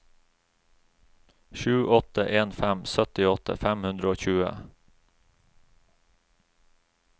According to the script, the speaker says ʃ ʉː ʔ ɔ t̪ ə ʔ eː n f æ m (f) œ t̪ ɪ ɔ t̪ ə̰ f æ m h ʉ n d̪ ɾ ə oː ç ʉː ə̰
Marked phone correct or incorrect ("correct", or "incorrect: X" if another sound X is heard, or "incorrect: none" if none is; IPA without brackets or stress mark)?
incorrect: s